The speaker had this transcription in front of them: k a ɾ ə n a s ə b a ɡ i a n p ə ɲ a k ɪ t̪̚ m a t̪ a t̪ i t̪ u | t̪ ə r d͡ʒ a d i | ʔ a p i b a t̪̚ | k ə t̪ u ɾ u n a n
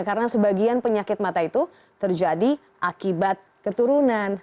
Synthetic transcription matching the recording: k a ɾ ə n a s ə b a ɡ i a n p ə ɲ a k ɪ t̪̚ m a t̪ a i t̪ u | t̪ ə r d͡ʒ a d i | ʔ a k i b a t̪̚ | k ə t̪ u ɾ u n a n